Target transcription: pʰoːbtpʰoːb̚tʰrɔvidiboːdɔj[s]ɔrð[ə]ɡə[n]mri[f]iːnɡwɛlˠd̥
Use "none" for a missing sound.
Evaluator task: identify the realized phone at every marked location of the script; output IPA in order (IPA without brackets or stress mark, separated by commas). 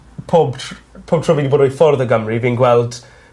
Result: f, ə, none, v